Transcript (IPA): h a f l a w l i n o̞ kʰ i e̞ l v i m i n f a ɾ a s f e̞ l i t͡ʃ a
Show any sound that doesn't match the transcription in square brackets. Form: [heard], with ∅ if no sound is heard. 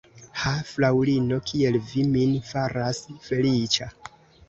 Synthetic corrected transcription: h a f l a w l i n o̞ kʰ i e̞ l v i m i n f a ɾ a s f e̞ l i t͡ʃ a